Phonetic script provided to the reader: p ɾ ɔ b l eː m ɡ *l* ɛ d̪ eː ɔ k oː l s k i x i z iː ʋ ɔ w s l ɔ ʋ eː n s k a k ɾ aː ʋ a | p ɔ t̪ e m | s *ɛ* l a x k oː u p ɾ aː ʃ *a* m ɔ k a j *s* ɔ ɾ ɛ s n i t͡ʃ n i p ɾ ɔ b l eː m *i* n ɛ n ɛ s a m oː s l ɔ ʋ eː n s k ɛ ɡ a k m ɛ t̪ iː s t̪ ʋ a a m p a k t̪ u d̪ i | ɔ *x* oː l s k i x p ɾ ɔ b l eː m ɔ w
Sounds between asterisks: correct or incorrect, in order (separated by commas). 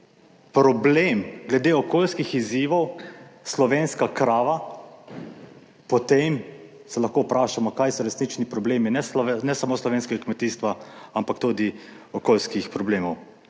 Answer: correct, correct, correct, correct, correct, incorrect